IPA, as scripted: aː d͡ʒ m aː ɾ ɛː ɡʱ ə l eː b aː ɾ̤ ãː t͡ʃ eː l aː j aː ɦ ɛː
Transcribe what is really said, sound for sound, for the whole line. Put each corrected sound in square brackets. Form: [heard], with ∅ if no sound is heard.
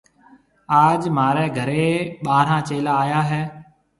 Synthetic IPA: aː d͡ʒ m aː ɾ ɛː ɡʱ ə [ɾ] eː [ɓ] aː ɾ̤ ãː t͡ʃ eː l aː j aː ɦ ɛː

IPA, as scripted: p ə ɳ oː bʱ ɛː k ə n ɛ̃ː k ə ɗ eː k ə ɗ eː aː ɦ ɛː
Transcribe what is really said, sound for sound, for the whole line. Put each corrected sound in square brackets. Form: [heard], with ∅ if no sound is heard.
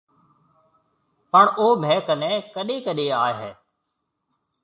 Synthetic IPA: p ə ɳ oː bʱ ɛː k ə n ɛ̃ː k ə ɗ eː k ə ɗ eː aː ɦ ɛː

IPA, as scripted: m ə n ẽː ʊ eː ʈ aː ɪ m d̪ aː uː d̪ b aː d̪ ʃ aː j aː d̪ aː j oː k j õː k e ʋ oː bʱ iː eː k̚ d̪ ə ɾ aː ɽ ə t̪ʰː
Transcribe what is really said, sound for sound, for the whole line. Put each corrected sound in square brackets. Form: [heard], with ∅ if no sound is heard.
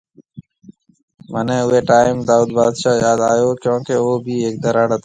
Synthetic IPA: m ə n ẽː ʊ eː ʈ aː ɪ m d̪ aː uː d̪ b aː d̪ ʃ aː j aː d̪ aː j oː k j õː k e ʋ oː bʱ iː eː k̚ d̪ ə ɾ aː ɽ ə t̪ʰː

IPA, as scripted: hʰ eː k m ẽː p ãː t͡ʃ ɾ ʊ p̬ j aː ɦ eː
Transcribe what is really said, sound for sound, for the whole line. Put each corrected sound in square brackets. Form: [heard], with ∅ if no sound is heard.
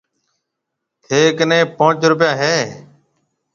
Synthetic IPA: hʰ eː k [n] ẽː p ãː t͡ʃ ɾ ʊ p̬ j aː ɦ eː

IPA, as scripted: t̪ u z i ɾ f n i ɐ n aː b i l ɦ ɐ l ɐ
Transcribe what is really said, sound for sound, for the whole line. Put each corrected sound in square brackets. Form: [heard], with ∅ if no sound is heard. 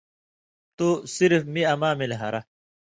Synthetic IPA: t̪ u [s] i ɾ f [m] i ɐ [m] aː [m] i l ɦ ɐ [ɾ] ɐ

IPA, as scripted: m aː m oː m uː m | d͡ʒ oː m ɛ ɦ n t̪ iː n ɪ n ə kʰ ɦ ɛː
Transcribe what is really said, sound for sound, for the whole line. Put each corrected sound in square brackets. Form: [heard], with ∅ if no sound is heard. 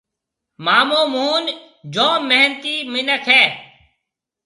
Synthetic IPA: m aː m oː m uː [n] | d͡ʒ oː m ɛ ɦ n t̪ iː [m] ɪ n ə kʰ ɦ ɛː

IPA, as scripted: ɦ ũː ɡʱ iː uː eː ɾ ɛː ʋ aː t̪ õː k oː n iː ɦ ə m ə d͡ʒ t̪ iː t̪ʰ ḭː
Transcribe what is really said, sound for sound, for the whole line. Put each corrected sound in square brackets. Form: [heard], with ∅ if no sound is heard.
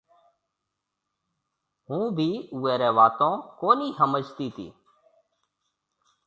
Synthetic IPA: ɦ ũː [bʱ] iː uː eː ɾ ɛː ʋ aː t̪ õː k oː n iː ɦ ə m ə d͡ʒ t̪ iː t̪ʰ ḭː

